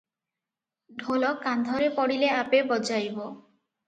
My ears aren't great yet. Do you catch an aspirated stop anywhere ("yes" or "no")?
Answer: no